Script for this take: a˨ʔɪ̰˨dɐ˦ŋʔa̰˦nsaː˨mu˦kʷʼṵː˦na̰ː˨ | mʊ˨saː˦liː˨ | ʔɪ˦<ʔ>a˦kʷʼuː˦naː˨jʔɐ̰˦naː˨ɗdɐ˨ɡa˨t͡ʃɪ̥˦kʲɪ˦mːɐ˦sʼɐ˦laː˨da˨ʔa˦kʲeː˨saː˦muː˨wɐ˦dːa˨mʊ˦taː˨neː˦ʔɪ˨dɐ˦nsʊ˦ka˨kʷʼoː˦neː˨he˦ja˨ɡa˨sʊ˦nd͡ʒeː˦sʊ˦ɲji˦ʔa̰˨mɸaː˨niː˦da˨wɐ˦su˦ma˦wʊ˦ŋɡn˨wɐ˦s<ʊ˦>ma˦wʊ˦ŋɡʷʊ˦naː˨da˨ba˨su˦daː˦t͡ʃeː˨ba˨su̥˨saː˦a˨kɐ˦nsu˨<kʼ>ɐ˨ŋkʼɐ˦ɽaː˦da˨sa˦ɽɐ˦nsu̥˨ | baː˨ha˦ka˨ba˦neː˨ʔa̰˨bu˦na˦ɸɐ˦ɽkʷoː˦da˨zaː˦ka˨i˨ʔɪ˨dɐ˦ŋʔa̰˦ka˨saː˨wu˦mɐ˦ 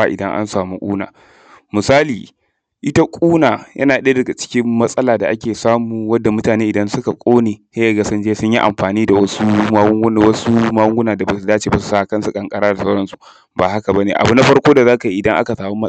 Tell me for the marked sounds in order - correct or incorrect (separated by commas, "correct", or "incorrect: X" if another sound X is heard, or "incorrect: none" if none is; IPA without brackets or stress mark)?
incorrect: t, incorrect: u˦, correct